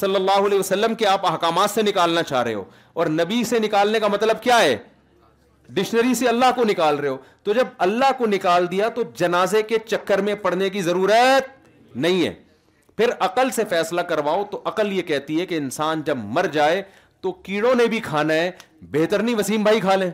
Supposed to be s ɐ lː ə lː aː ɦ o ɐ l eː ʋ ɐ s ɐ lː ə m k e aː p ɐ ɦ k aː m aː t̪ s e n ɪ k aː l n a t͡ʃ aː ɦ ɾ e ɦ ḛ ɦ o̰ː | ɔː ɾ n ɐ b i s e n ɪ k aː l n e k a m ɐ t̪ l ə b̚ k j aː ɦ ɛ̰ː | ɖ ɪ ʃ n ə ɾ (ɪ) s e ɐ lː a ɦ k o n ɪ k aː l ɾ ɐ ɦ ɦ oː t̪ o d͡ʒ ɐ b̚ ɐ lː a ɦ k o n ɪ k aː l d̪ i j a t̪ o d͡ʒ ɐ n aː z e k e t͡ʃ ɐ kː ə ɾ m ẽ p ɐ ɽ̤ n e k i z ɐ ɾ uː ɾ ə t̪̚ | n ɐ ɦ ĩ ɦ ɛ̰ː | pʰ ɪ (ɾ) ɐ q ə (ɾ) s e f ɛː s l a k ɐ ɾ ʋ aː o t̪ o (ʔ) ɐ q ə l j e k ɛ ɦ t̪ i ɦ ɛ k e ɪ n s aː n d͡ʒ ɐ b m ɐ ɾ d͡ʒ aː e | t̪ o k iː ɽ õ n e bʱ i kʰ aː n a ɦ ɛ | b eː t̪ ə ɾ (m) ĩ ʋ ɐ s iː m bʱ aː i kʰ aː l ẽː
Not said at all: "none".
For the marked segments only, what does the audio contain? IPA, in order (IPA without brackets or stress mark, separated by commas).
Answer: i, ɾ, l, ʔ, n